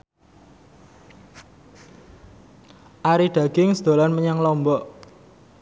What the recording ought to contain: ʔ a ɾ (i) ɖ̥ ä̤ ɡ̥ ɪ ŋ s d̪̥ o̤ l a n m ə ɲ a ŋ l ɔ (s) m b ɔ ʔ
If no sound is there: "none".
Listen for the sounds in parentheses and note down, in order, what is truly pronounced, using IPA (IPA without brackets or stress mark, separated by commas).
i, none